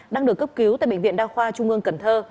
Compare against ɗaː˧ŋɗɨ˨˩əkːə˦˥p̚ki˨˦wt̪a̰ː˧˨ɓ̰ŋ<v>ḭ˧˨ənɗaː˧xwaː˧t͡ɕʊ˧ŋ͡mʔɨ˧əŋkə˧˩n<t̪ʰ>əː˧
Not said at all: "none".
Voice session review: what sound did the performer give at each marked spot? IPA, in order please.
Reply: v, t̪ʰ

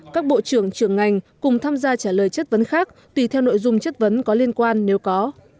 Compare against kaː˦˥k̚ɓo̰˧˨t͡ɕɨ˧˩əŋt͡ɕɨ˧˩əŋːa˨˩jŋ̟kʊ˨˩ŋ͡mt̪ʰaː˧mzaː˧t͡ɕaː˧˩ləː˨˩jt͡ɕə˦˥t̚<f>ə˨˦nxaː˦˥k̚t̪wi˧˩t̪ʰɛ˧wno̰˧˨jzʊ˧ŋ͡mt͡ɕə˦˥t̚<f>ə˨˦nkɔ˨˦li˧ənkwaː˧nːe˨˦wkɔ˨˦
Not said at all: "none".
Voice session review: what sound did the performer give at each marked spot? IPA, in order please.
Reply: v, v

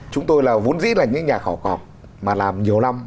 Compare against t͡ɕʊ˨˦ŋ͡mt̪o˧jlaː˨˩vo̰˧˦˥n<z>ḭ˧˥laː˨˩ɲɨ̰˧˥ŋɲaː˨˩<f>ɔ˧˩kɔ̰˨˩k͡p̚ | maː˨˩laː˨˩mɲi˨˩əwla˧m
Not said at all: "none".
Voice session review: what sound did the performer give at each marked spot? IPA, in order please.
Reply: z, x

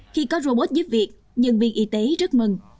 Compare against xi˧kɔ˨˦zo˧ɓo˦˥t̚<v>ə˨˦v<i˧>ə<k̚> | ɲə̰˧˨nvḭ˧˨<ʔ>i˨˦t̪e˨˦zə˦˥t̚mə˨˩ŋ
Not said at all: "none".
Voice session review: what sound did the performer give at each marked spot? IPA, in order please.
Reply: z, i˨˩, k̚, ʔ

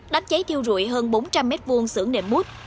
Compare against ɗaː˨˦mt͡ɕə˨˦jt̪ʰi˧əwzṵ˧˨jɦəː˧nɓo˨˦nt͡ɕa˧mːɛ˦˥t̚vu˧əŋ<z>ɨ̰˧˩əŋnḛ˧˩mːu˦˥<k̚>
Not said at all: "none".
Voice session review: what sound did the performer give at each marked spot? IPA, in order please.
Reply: s, t̚

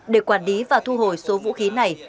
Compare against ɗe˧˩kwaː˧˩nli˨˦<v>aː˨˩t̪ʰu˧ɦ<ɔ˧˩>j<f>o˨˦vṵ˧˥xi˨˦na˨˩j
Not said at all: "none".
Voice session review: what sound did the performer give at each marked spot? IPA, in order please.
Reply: v, o˧˩, s

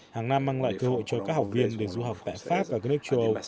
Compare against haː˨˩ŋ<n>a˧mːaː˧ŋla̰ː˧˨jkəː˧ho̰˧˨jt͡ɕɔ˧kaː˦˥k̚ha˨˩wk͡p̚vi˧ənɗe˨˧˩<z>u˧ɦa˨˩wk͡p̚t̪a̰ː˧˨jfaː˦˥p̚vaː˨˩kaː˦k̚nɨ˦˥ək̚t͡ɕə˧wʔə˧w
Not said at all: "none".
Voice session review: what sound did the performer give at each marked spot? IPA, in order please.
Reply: n, z

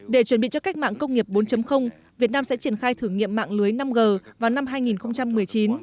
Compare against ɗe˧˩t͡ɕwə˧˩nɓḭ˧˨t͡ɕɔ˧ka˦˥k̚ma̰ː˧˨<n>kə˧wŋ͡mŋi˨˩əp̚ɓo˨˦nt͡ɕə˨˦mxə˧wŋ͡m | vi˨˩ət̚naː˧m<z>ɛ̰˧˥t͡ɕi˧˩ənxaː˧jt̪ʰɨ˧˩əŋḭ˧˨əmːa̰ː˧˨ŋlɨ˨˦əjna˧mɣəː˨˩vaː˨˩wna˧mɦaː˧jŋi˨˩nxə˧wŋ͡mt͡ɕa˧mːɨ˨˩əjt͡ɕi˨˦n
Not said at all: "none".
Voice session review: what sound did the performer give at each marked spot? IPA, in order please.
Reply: ŋ, s

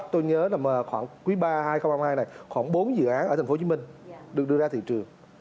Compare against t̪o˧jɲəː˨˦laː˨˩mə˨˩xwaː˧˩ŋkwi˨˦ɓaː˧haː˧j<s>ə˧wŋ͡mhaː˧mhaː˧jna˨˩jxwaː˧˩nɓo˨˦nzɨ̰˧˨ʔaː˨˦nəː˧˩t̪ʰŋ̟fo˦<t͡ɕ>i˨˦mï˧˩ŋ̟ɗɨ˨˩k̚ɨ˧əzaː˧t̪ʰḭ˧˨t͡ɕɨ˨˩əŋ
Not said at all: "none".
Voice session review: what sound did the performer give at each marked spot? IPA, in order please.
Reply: x, t͡ɕ

